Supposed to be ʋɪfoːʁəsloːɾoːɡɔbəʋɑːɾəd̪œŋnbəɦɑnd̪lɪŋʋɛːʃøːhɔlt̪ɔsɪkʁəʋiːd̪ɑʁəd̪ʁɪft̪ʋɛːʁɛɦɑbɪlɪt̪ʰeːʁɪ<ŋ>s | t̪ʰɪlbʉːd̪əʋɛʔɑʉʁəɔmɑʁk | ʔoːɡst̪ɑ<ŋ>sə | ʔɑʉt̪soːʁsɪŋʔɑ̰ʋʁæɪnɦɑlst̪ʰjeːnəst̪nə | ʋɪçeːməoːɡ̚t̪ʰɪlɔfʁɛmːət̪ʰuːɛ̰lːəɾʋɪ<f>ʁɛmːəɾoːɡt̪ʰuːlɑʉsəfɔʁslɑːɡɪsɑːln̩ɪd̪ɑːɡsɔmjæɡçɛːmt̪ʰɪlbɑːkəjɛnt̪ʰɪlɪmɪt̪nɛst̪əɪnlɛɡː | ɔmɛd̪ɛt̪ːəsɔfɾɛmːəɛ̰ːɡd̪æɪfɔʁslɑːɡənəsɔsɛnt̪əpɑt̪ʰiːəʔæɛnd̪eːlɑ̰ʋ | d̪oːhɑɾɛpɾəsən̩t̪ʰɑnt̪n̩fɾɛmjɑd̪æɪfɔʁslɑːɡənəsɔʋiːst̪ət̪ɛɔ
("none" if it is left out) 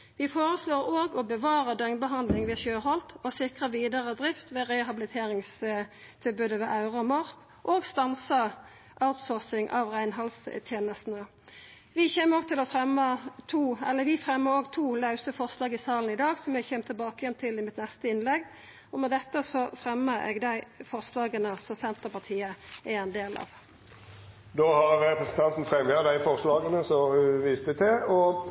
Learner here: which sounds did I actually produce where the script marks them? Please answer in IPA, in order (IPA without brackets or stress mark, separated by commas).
ŋ, n, f